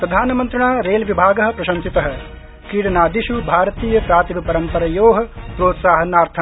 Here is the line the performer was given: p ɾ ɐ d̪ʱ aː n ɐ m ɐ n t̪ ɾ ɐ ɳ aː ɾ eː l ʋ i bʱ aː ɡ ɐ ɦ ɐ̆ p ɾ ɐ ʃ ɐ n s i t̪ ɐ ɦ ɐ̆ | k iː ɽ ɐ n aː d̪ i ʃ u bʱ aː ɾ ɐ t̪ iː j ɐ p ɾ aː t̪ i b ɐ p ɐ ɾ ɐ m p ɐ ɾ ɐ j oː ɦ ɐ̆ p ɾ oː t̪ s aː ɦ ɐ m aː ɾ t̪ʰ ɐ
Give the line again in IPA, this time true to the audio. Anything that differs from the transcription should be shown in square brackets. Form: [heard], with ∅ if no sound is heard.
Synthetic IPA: p ɾ ɐ d̪ʱ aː n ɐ m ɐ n t̪ ɾ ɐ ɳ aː ɾ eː l ʋ i bʱ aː ɡ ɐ ɦ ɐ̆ p ɾ ɐ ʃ ɐ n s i t̪ ɐ ɦ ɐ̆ | k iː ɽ ɐ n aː d̪ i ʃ u bʱ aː ɾ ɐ t̪ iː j ɐ p ɾ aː t̪ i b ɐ p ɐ ɾ ɐ m p ɐ ɾ ɐ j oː ɦ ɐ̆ p ɾ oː t̪ s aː ɦ ɐ [n] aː ɾ t̪ʰ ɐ